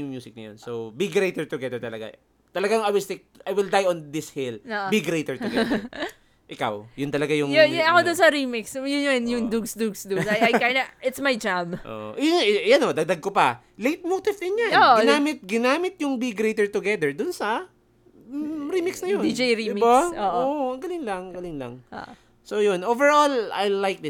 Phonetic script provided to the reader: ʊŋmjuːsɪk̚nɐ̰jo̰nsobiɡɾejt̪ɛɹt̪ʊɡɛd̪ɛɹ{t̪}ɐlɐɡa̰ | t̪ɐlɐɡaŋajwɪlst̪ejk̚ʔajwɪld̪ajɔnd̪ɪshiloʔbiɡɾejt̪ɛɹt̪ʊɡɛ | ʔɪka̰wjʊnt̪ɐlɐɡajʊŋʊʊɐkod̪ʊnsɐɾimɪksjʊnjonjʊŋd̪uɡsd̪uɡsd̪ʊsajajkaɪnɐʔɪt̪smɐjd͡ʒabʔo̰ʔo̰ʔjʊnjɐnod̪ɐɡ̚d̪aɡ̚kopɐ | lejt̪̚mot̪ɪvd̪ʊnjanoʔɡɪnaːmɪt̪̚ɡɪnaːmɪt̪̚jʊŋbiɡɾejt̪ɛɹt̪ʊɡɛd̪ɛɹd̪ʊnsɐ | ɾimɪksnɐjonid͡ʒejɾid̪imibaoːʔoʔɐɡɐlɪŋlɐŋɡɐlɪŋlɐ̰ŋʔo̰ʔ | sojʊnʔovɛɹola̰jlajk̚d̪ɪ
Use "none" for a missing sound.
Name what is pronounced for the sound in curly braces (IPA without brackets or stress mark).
t̪